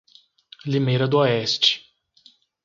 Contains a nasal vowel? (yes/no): no